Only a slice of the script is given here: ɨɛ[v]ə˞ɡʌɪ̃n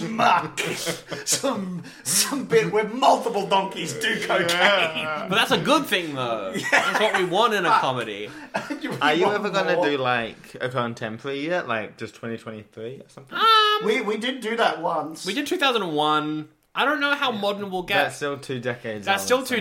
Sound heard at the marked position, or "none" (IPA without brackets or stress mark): v